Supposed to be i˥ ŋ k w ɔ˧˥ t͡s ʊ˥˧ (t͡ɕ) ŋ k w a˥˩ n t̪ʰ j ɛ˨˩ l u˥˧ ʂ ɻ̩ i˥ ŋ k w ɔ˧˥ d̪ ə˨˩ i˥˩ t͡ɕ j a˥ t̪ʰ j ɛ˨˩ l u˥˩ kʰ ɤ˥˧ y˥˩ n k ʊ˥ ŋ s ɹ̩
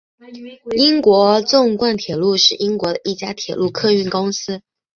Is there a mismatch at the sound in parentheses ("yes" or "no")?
yes